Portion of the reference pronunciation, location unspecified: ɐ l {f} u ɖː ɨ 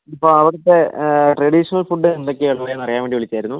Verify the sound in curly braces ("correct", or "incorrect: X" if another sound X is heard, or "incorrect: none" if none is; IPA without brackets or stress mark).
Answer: correct